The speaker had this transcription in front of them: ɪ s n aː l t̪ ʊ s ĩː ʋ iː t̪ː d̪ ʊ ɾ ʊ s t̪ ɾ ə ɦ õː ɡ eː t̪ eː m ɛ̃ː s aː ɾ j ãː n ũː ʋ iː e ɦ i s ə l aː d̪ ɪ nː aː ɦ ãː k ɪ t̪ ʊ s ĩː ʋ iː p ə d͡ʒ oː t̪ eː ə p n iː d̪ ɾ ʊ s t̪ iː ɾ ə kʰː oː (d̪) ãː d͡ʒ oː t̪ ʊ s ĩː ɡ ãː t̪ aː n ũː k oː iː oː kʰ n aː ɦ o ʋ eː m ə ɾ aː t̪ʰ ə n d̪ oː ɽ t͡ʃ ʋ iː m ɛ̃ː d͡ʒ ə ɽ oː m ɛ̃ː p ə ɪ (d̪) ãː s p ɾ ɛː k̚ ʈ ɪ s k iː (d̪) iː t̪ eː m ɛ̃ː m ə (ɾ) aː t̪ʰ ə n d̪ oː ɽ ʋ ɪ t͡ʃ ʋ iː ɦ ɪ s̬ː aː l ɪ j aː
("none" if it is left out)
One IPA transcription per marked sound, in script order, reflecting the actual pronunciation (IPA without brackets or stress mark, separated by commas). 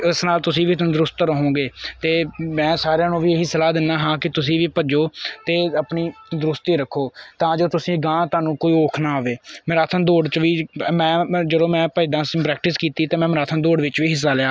t̪, d̪, t̪, ɾ